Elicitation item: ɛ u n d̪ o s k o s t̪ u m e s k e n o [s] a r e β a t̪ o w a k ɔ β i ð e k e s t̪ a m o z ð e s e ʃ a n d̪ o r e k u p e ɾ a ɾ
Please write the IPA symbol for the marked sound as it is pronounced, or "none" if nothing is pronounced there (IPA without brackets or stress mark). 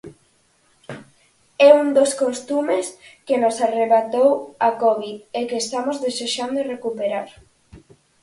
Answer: s